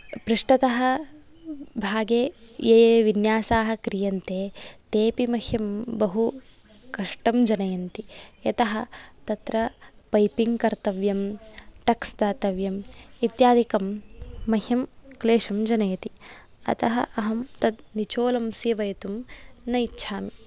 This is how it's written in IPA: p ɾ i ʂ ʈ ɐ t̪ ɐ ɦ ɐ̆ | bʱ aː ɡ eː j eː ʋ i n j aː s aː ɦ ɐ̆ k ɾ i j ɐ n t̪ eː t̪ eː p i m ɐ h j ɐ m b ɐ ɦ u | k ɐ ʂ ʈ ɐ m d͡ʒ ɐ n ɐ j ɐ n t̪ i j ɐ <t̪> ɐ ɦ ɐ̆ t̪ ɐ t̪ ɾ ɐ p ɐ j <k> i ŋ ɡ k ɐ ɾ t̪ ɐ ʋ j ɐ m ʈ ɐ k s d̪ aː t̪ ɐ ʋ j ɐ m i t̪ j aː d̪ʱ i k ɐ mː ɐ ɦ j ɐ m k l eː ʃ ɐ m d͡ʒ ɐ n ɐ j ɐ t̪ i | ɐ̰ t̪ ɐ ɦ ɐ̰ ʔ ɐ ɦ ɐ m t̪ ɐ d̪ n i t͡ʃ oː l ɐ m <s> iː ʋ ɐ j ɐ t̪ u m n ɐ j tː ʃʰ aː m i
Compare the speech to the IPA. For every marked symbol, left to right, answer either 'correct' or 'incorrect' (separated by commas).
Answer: correct, incorrect, correct